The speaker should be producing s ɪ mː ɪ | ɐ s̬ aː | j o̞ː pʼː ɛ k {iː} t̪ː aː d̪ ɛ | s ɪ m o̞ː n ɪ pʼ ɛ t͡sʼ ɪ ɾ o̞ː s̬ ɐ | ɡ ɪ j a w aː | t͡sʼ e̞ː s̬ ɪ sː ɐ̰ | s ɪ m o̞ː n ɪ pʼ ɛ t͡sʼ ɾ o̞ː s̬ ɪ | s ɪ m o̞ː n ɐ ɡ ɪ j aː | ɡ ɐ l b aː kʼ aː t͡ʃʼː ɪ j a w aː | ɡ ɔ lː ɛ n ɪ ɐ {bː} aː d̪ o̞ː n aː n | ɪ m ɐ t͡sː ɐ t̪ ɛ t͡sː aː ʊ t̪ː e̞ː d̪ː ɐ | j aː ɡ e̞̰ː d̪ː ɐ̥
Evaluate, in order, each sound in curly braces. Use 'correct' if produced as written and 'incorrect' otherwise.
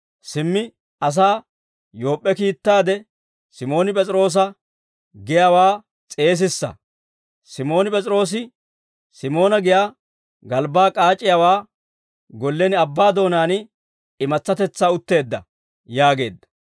correct, correct

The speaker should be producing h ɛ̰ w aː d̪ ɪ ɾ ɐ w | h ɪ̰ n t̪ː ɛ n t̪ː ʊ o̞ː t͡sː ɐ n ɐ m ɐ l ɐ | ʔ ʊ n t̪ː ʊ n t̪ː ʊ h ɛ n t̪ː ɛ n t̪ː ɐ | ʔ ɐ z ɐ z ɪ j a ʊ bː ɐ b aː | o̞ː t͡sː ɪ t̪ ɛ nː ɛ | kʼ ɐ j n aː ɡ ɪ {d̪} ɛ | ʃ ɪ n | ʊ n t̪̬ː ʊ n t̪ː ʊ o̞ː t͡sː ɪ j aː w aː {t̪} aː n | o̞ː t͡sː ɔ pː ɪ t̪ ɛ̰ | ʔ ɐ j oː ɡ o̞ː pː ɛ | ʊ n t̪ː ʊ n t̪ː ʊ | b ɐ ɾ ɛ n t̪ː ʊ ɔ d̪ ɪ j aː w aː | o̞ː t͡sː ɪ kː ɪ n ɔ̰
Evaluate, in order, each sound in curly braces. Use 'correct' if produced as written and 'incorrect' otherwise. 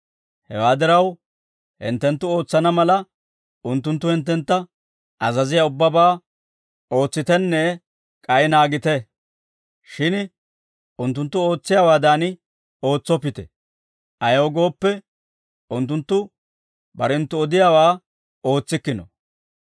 incorrect: t̪, incorrect: d̪

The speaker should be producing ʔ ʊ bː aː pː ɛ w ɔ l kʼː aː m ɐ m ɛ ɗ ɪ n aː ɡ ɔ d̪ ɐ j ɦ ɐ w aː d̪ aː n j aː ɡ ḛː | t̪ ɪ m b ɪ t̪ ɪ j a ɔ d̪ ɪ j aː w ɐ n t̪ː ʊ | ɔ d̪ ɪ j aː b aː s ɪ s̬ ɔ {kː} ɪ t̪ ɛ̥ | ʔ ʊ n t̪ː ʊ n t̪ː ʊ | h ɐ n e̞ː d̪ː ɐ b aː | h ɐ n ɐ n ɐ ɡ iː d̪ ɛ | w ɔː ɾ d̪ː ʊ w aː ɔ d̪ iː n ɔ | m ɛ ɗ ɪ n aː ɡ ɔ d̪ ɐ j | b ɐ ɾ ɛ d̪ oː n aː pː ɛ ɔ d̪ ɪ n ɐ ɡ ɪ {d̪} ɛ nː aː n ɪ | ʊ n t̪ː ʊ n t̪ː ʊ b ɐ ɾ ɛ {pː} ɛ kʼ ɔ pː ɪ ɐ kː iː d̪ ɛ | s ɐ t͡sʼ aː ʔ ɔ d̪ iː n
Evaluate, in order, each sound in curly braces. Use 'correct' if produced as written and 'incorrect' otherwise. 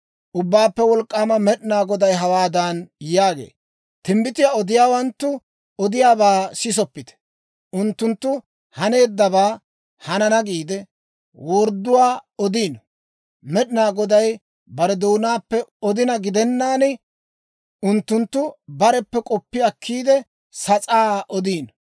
incorrect: pː, correct, correct

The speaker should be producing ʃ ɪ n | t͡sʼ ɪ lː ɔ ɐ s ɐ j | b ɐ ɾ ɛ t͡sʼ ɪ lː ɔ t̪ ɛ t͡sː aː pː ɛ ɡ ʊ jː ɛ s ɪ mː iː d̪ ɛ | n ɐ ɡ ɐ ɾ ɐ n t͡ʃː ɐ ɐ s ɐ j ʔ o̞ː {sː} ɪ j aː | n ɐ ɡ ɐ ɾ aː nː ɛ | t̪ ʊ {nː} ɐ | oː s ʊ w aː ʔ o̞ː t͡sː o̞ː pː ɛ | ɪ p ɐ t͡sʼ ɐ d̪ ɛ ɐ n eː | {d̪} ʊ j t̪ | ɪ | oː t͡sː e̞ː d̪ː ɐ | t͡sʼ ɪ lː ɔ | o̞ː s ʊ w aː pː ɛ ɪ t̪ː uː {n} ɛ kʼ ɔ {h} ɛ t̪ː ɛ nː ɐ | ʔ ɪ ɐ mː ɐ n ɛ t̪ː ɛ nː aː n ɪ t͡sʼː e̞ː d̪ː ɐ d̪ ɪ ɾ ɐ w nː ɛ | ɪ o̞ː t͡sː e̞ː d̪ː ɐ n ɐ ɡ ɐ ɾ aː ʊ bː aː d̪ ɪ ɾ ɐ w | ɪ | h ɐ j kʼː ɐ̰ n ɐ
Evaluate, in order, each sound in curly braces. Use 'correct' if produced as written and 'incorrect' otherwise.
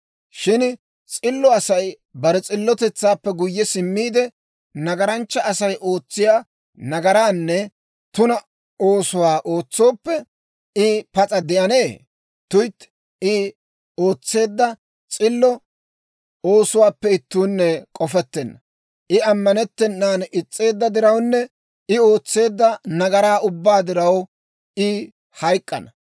incorrect: t͡sː, incorrect: n, incorrect: t̪, incorrect: nː, incorrect: f

